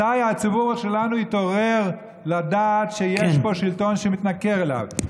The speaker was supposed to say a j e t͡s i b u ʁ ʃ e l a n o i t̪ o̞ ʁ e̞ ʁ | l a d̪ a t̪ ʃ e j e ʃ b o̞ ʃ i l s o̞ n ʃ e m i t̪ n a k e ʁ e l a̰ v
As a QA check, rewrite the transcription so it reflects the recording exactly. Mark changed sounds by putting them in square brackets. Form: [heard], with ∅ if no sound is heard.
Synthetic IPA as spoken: a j [a] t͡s i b u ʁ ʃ e l a n [u] i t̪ o̞ ʁ e̞ ʁ | l a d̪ a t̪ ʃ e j e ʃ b o̞ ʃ i l [t] o̞ n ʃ e m i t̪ n a k e ʁ e l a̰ v